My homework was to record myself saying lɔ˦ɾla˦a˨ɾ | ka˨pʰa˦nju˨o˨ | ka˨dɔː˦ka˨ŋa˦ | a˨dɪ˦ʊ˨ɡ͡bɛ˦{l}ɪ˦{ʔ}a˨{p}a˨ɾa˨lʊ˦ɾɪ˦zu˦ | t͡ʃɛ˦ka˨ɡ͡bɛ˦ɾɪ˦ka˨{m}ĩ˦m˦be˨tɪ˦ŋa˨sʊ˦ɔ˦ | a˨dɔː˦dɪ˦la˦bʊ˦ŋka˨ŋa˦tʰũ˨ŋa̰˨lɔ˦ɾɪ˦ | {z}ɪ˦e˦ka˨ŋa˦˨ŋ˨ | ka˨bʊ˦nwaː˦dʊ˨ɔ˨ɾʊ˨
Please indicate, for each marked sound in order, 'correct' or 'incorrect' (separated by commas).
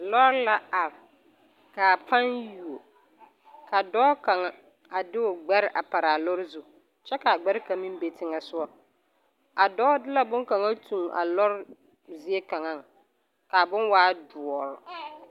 incorrect, correct, correct, correct, correct